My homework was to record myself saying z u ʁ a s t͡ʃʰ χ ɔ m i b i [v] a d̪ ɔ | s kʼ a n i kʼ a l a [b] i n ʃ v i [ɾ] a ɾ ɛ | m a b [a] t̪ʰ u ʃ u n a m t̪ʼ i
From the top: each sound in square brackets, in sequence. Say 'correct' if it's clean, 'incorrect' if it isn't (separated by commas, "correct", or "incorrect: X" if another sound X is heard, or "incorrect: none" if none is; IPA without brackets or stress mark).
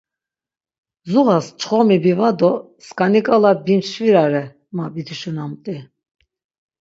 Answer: correct, correct, correct, incorrect: i